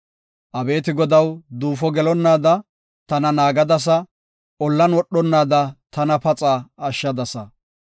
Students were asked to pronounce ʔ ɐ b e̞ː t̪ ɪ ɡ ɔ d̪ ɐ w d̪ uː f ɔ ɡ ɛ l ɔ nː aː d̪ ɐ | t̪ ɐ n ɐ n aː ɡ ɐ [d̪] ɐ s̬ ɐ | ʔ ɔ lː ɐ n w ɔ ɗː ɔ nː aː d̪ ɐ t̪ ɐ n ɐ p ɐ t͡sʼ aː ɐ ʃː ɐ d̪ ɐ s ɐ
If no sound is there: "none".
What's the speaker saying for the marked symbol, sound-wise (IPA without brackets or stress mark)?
d̪